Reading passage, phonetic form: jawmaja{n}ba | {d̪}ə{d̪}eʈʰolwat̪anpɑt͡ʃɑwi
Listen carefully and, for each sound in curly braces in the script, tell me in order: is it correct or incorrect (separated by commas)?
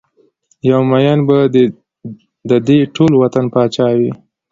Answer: correct, correct, correct